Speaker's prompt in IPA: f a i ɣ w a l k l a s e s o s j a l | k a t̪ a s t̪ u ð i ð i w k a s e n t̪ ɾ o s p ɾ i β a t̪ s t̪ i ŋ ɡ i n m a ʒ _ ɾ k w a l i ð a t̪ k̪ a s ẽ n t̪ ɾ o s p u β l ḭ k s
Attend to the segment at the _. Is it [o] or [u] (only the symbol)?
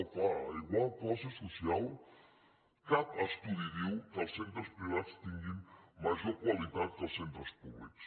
o